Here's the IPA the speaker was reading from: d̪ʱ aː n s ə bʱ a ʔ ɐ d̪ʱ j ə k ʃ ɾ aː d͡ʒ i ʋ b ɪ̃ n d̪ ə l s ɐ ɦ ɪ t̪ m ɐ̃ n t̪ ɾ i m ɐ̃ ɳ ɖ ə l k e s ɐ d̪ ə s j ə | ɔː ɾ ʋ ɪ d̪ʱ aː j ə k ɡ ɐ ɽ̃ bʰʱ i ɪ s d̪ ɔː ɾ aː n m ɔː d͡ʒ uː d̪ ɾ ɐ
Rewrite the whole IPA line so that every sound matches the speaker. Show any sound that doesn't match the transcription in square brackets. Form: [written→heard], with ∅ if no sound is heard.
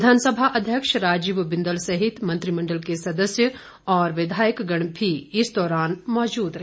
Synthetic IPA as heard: d̪ʱ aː n s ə bʱ a ʔ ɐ d̪ʱ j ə k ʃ ɾ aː d͡ʒ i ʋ b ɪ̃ n d̪ ə l s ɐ ɦ ɪ t̪ m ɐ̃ n t̪ ɾ i m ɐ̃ ɳ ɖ ə l k e s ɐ d̪ ə s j ə | ɔː ɾ ʋ ɪ d̪ʱ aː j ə k ɡ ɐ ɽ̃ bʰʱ i ɪ s d̪ ɔː ɾ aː n m ɔː d͡ʒ uː d̪ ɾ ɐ